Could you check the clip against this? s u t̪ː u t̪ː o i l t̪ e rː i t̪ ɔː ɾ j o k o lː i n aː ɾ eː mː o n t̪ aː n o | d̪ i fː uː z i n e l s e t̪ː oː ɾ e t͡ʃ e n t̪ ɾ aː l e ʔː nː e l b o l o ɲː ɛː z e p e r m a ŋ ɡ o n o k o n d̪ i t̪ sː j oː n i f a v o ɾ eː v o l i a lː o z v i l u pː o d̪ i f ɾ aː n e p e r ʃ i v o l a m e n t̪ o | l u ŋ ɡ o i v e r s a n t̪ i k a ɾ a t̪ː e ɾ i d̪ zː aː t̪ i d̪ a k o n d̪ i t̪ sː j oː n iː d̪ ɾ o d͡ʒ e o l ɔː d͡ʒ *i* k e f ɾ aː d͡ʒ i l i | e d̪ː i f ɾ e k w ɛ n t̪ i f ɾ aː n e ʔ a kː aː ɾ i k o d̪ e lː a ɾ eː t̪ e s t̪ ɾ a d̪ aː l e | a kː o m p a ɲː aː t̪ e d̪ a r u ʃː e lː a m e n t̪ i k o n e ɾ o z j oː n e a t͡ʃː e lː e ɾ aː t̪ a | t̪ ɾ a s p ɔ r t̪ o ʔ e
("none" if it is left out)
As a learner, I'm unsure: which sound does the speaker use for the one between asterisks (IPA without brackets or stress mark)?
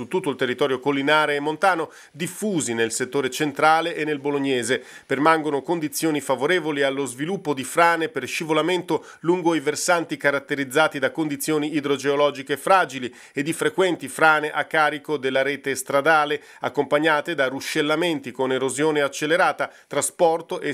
i